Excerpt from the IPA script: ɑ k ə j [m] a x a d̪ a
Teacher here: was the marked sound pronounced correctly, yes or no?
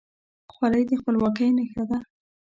no